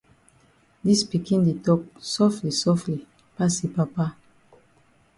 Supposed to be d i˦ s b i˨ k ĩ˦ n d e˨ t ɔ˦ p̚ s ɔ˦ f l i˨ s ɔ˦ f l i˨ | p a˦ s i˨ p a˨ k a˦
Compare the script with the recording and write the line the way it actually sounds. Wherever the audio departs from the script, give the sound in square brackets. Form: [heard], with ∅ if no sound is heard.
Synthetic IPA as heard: d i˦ s [p] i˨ k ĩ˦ n d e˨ t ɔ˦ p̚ s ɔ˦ f l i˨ s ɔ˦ f l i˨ | p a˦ s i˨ p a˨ [p] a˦

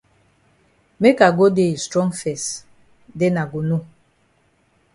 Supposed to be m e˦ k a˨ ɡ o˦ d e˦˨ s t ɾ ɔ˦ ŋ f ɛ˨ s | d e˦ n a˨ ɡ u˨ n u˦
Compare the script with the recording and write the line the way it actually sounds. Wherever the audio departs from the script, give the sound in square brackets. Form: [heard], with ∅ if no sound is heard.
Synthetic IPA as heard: m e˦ k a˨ ɡ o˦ d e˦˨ s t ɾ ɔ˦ ŋ f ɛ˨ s | d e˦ n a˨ ɡ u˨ n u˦

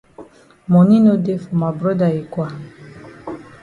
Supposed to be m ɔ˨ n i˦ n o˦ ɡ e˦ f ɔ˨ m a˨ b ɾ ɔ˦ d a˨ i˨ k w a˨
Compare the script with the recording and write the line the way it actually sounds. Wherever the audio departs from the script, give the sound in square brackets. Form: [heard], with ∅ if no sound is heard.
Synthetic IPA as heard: m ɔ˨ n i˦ n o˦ [d] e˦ f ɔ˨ m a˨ b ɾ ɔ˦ d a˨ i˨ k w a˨

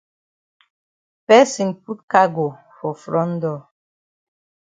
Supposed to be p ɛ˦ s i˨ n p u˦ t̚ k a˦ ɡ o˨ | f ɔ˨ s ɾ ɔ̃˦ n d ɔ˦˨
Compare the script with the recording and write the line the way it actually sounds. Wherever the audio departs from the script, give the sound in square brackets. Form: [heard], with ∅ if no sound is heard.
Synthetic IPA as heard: p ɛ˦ s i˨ n p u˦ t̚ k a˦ ɡ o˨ | f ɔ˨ [f] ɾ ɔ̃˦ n d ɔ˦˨

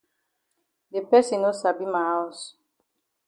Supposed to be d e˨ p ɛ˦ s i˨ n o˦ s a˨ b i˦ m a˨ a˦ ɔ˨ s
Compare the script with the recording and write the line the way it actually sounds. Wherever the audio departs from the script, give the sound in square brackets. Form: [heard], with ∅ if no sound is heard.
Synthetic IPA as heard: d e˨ p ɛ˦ s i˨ n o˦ s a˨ b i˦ m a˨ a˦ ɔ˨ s

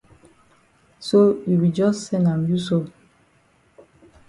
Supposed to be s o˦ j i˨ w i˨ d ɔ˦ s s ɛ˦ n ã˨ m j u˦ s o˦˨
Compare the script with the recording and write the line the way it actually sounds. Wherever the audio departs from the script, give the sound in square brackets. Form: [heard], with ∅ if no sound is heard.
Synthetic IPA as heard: s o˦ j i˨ w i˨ [d͡ʒ] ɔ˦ s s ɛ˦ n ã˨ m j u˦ s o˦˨

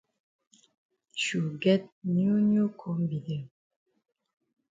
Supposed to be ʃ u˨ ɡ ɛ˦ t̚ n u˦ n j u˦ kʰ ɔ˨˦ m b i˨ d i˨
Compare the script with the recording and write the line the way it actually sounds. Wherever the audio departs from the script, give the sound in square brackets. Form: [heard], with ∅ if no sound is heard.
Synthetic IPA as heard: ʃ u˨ ɡ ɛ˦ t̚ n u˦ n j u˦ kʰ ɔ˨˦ m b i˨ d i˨

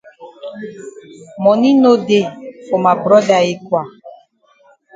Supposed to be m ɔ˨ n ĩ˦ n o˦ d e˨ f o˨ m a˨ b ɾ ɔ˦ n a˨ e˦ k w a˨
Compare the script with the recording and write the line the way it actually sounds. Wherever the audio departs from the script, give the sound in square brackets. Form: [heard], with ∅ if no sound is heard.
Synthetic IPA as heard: m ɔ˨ n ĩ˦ n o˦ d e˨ f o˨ m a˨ b ɾ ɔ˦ [d] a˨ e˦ k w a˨

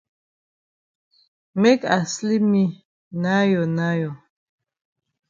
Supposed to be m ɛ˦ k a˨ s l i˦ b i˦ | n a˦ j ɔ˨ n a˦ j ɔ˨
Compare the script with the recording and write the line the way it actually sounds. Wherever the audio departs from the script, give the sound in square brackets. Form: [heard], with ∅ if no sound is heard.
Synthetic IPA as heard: m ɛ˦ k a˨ s l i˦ [m] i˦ | n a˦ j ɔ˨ n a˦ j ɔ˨

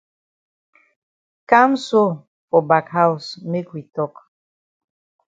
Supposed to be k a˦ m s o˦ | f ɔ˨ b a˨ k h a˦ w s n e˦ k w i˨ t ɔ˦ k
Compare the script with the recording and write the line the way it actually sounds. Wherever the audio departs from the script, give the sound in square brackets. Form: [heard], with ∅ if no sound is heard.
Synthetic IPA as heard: k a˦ m s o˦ | f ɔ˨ b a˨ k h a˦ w s [m] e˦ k w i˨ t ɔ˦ k

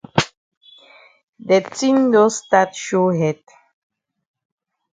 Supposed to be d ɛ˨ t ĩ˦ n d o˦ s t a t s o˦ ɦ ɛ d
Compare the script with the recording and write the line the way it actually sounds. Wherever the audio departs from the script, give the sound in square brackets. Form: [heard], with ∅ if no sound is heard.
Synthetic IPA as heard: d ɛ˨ t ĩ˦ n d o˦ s t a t [ʃ] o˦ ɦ ɛ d

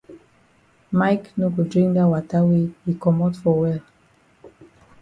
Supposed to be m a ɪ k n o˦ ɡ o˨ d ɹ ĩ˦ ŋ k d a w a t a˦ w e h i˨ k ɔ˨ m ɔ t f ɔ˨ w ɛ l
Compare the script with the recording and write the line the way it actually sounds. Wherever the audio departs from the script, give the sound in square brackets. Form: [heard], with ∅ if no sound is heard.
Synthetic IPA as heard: m a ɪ k n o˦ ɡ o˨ d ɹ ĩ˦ ŋ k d a w a t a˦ w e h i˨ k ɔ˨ m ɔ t f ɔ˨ w ɛ l

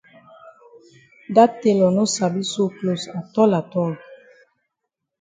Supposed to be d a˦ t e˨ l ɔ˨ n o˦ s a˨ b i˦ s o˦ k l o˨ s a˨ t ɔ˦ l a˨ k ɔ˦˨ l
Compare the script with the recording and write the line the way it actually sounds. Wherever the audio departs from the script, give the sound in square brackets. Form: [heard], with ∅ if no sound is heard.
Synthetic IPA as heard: d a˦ t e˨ l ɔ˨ n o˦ s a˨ b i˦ s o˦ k l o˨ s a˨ t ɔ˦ l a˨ [t] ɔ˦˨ l

